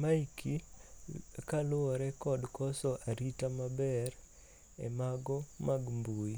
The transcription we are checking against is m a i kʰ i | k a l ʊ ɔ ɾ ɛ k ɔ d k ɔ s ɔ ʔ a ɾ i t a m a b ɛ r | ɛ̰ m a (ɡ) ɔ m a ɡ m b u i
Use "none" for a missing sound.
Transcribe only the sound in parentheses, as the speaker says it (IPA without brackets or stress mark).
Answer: ɡ